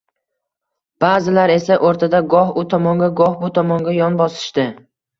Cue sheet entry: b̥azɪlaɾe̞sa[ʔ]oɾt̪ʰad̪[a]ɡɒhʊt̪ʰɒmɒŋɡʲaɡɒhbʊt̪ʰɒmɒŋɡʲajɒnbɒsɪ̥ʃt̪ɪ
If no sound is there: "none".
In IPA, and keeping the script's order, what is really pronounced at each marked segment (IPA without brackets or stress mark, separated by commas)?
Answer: ʔ, a